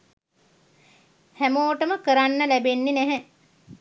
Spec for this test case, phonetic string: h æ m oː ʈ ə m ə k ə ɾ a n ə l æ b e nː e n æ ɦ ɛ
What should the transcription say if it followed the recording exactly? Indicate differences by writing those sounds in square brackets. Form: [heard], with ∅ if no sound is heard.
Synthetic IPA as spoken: h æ m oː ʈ ə m ə k ə ɾ a [nː] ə l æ b e nː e n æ ɦ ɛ